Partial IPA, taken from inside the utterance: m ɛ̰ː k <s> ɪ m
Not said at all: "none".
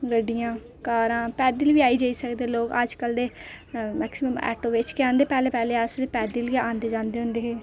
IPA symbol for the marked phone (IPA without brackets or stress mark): s